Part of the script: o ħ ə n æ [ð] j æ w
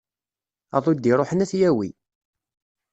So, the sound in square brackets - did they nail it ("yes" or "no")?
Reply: no